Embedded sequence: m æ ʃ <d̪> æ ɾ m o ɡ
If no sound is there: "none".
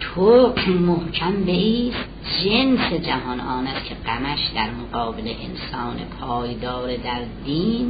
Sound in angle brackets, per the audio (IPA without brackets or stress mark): d̪